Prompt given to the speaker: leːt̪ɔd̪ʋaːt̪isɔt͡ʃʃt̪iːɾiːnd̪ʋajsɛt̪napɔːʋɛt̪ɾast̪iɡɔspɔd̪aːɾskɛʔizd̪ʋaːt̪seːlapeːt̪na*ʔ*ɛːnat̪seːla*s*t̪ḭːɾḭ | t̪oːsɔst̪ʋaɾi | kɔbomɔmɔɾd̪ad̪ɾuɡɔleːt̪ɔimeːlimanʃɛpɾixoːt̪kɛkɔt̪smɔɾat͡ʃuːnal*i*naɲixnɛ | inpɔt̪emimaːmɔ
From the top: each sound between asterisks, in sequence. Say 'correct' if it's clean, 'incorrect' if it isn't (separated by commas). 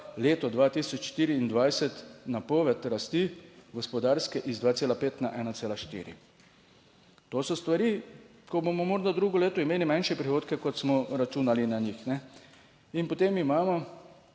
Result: correct, incorrect, correct